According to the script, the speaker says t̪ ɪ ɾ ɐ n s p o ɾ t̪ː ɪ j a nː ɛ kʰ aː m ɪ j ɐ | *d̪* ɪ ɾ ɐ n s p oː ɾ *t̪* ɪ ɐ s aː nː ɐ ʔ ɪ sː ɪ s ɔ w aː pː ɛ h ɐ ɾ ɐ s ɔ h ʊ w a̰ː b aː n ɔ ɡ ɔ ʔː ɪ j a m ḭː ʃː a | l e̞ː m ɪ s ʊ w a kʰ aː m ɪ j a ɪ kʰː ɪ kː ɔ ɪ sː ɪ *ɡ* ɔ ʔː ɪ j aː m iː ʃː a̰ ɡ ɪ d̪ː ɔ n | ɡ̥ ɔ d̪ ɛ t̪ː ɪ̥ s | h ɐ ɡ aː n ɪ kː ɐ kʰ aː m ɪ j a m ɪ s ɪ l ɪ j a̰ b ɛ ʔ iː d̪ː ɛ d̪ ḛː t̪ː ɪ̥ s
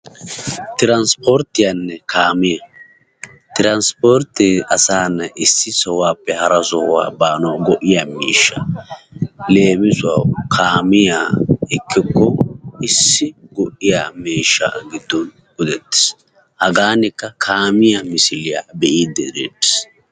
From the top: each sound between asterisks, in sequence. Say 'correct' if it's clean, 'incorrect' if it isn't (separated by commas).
incorrect, correct, correct